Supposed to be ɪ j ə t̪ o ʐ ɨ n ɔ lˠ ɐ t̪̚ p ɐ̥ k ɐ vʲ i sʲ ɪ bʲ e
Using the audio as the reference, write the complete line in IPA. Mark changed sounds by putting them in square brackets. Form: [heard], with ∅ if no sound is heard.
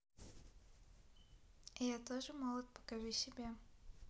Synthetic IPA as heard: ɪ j [a] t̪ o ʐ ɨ [m] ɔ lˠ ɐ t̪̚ p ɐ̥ k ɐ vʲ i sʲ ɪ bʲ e

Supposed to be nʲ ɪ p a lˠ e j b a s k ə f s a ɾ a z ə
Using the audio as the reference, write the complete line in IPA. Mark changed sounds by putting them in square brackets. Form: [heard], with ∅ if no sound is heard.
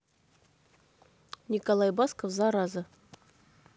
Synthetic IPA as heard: nʲ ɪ [k] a lˠ [a] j b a s k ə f [z] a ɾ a z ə

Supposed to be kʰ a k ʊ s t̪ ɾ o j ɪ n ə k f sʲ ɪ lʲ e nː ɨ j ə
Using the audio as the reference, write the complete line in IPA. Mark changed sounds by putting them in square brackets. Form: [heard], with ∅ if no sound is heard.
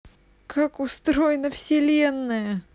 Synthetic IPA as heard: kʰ a k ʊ s t̪ ɾ o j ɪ n ə [∅] f sʲ ɪ lʲ e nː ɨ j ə

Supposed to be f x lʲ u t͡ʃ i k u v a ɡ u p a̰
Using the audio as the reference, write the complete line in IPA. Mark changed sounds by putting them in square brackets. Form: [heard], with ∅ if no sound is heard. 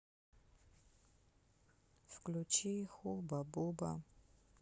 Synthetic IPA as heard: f [k] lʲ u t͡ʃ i [x] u [b] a [b] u [b] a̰

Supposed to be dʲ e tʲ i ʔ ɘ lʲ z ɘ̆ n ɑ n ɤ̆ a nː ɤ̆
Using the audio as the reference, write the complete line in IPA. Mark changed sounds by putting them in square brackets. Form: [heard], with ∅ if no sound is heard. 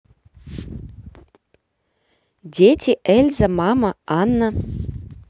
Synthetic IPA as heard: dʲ e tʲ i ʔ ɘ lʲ z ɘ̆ [m] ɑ [m] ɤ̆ [ɑ] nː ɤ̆

